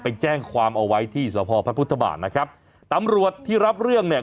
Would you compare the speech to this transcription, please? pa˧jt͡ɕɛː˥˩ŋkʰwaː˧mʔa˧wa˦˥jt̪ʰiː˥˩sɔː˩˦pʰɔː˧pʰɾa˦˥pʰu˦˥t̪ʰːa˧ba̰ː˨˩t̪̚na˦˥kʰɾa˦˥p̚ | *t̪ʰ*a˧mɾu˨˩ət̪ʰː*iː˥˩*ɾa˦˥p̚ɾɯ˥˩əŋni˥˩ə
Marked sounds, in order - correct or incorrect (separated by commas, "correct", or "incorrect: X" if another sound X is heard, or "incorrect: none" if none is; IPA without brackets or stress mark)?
incorrect: t̪, correct